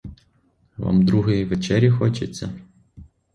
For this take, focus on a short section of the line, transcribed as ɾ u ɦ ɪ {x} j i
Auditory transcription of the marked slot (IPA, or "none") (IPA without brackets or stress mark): none